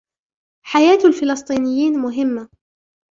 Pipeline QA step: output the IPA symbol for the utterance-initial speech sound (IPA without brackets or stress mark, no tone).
ħ